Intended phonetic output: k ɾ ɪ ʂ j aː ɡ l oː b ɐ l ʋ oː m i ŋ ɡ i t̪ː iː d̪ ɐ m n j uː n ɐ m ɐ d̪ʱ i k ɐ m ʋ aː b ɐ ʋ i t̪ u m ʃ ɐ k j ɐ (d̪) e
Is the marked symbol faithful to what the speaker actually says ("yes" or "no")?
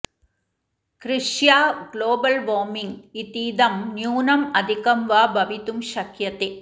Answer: no